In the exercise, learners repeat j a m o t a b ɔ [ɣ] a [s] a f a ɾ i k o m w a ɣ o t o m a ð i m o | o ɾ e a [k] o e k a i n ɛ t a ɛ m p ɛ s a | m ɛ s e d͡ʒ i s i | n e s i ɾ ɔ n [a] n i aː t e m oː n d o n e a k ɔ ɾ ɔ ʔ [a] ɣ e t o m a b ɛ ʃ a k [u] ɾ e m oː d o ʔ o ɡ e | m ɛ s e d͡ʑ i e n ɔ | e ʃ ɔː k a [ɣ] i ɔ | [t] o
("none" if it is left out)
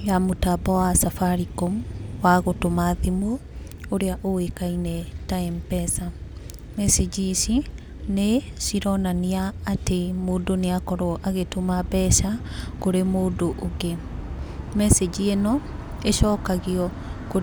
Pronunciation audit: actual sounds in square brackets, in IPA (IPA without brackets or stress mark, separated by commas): w, s, ʔ, a, a, o, ɣ, k